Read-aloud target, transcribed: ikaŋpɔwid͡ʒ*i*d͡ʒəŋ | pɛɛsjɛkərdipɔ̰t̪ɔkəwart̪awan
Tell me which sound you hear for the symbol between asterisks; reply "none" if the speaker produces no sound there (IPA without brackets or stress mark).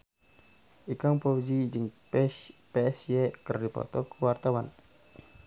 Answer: i